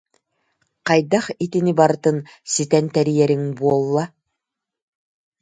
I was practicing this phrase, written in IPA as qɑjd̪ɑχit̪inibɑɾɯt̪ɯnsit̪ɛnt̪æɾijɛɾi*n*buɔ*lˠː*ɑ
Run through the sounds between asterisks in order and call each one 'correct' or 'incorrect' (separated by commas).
incorrect, correct